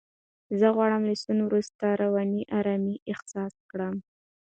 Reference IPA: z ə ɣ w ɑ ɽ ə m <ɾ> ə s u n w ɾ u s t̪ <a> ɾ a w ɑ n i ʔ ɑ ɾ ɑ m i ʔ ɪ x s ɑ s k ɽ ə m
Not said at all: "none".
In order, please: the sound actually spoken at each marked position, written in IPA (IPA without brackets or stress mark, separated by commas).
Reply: l, a